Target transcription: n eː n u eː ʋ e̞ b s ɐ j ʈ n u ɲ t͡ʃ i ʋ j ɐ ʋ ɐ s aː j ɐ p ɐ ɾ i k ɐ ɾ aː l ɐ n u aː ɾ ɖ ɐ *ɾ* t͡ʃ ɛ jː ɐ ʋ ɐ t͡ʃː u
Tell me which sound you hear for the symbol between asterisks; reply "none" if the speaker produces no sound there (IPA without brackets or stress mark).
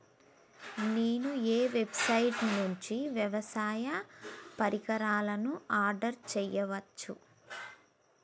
ɾ